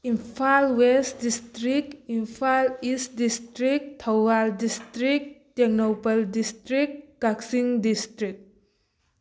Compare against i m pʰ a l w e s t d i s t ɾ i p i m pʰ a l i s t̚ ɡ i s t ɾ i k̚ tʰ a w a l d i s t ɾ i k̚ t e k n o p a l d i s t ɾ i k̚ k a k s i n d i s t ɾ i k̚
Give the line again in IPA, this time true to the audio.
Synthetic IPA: i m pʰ a l w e s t d i s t ɾ i k i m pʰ a l i s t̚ d i s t ɾ i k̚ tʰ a w a l d i s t ɾ i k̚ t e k n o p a l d i s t ɾ i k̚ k a k s i ŋ d i s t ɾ i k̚